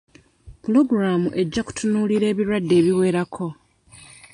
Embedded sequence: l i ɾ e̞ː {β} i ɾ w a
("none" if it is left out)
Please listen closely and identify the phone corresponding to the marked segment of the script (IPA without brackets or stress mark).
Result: β